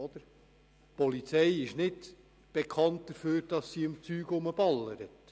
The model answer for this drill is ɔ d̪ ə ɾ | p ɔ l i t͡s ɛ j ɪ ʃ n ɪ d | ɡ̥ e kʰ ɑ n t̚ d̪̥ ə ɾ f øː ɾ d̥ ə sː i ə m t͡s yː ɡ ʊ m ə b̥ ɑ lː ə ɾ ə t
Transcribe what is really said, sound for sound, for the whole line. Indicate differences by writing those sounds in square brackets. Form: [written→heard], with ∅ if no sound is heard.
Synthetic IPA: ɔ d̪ ə ɾ | p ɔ l i t͡s ɛ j ɪ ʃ n ɪ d | [ɡ̥→b̥] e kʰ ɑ n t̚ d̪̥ ə ɾ f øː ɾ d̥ [ə→ɑ] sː i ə m t͡s yː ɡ ʊ m ə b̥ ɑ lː ə ɾ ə t